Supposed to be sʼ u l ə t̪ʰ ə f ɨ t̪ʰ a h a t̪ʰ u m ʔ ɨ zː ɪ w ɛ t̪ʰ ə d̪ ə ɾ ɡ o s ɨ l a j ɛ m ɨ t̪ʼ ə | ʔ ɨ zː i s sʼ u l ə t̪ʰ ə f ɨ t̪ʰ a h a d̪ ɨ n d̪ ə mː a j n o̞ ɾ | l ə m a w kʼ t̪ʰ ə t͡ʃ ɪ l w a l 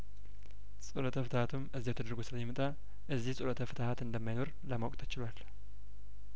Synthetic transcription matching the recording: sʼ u l ə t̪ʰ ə f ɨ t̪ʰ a h a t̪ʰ u m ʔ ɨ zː i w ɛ t̪ʰ ə d̪ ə ɾ ɡ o s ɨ l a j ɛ m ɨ t̪ʼ a | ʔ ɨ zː i h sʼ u l ə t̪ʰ ə f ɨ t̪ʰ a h a t̪ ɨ n d̪ ə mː a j n o̞ ɾ | l ə m a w kʼ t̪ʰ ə t͡ʃ ɪ l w a l